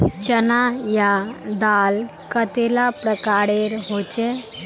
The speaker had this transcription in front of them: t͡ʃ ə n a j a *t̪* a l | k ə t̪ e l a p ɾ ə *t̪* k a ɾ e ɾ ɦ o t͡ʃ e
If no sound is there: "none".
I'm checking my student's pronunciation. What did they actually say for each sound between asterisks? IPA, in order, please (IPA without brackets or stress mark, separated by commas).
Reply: d̪, none